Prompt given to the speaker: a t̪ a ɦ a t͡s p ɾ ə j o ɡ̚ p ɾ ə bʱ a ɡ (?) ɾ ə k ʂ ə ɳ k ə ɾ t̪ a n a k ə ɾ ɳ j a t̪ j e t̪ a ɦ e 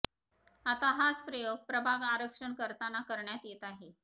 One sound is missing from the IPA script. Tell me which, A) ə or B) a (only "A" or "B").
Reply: B